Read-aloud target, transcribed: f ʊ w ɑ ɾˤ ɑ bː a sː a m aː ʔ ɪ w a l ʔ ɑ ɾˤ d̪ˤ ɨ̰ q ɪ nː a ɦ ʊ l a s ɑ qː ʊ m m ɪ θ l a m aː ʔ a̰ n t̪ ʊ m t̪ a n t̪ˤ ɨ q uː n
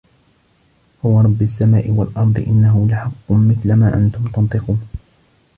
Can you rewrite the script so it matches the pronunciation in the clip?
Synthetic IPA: h ʊ w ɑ ɾˤ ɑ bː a sː a m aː ʔ ɪ w a l ʔ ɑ ɾˤ d̪ˤ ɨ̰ ʔ ɪ nː a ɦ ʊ l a ħ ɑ qː ʊ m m ɪ θ l a m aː ʔ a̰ n t̪ ʊ m t̪ ɑ n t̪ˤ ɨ q uː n